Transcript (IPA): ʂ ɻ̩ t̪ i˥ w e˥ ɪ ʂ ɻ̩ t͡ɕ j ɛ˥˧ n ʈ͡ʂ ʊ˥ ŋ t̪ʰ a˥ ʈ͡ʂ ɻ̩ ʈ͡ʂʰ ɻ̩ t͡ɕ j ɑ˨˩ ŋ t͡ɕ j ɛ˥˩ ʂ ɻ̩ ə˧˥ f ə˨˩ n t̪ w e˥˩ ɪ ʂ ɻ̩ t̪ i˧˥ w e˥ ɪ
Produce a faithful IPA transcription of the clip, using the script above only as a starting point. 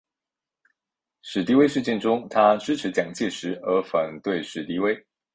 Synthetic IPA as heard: ʂ ɻ̩ t̪ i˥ w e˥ ɪ ʂ ɻ̩ t͡ɕ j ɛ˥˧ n ʈ͡ʂ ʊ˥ ŋ t̪ʰ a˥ ʈ͡ʂ ɻ̩ ʈ͡ʂʰ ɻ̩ t͡ɕ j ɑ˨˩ ŋ t͡ɕ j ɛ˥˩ ʂ ɻ̩ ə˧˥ f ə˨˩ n t̪ w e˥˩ ɪ ʂ ɻ̩ t̪ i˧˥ w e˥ ɪ